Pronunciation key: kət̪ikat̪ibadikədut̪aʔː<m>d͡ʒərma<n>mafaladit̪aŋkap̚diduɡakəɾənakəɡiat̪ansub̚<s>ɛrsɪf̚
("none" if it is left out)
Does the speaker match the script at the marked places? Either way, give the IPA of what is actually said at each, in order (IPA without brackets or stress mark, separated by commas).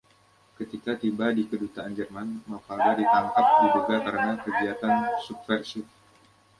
n, n, f